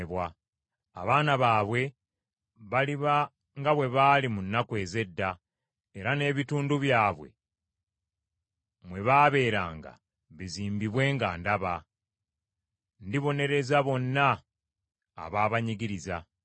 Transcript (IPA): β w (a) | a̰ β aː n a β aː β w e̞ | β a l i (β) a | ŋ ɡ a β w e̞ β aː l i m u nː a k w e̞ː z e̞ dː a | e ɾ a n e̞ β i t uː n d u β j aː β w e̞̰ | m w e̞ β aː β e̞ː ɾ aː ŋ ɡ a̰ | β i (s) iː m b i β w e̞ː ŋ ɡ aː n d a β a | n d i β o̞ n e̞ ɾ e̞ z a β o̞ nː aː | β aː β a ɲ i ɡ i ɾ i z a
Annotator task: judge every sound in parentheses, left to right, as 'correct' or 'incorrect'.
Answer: correct, correct, incorrect

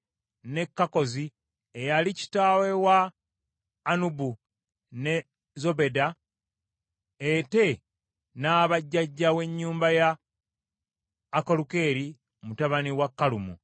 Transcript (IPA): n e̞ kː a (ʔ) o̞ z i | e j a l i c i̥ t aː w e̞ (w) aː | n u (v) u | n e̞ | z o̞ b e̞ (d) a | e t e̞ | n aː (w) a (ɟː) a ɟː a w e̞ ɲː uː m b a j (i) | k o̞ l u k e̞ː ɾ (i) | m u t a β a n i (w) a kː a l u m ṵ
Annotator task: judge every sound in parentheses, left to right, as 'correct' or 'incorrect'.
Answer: incorrect, correct, incorrect, correct, incorrect, correct, incorrect, correct, correct

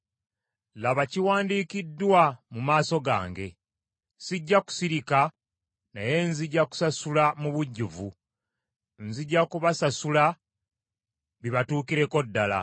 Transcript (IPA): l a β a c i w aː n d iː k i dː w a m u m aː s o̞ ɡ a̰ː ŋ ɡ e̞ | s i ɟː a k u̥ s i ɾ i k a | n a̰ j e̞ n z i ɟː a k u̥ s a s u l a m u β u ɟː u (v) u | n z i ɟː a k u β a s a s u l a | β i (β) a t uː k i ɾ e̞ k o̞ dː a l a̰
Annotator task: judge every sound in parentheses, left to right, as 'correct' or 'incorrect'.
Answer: correct, correct

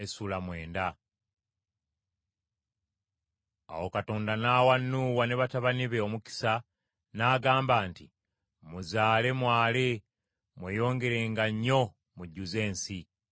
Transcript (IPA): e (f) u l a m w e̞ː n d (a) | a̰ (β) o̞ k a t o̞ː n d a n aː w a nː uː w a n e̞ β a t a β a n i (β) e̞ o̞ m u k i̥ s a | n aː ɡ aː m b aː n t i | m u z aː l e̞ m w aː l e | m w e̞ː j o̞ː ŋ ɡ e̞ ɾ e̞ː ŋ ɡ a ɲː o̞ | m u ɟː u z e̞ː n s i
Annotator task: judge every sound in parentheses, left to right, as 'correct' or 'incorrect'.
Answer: incorrect, correct, incorrect, correct

